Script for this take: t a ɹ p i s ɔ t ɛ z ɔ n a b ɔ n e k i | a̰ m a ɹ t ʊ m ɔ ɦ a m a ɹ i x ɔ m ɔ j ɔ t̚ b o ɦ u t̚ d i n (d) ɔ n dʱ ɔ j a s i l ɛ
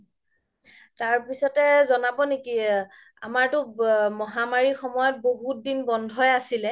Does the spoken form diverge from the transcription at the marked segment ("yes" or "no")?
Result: yes